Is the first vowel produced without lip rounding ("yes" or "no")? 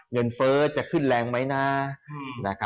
yes